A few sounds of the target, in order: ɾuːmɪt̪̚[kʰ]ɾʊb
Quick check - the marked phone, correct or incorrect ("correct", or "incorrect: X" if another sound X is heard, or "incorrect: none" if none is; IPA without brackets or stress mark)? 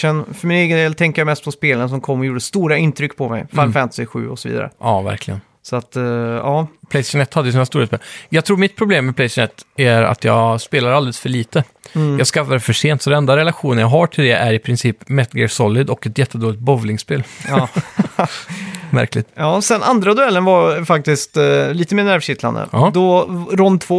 incorrect: pʰ